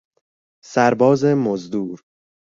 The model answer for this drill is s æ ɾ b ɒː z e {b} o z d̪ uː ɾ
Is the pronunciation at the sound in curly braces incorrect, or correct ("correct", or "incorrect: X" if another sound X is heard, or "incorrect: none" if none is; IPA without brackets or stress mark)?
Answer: incorrect: m